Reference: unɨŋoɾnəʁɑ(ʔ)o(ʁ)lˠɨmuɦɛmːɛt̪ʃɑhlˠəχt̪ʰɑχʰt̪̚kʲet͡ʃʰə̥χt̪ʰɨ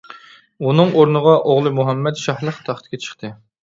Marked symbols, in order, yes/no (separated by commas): yes, yes